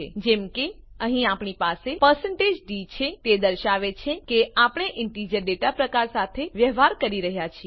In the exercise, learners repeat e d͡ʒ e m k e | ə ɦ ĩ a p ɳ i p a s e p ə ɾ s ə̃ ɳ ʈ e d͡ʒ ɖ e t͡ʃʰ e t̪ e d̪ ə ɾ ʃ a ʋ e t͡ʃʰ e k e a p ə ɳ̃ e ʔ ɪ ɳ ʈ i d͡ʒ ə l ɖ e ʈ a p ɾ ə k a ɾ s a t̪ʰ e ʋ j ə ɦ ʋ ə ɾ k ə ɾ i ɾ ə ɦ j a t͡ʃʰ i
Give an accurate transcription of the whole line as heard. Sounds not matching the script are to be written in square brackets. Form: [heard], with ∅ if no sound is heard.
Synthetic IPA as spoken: e d͡ʒ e m k e | ə ɦ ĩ a p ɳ i p a s e p ə ɾ s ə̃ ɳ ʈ e d͡ʒ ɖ [i] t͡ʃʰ e t̪ e d̪ ə ɾ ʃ a ʋ e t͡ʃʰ e k e a p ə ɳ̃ e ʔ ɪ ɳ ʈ i d͡ʒ ə [ɾ] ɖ e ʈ a p ɾ ə k a ɾ s a t̪ʰ e ʋ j ə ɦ ʋ [a] ɾ k ə ɾ i ɾ ə ɦ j a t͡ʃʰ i